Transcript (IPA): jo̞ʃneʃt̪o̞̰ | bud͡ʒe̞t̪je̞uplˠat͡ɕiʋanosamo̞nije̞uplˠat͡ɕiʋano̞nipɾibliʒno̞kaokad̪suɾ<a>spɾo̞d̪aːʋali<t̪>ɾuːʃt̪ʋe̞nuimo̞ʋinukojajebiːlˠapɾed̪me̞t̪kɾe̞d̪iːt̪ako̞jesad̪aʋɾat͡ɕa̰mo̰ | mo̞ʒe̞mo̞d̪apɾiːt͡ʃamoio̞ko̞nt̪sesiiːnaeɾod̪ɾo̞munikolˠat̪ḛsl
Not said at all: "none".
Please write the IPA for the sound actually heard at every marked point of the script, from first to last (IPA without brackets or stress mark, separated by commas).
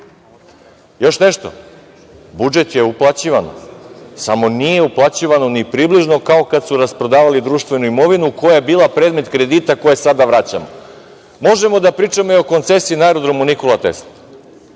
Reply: a, d̪